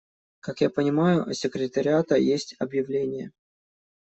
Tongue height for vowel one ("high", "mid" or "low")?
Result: low